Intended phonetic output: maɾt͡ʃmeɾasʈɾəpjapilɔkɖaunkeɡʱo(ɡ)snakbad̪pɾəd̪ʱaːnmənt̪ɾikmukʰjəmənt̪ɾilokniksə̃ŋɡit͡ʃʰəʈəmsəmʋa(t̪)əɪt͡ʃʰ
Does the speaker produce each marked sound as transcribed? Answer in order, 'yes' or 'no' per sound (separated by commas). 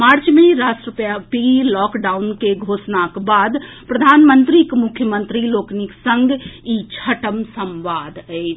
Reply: no, no